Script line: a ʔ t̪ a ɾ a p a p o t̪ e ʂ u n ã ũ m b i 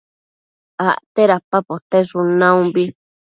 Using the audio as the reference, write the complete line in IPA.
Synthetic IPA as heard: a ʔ t̪ e ɾ a p a p o t̪ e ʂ u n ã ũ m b i